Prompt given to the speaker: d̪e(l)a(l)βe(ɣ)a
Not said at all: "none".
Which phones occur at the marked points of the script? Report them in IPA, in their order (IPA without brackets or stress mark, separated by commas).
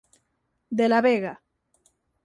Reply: l, none, ɣ